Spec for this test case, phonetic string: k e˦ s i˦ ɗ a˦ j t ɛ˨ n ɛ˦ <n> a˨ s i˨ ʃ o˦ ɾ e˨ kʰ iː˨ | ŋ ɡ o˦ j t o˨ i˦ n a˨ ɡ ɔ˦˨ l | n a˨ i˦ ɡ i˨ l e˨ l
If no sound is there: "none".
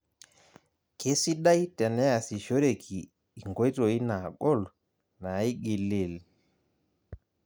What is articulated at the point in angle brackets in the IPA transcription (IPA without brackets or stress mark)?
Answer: none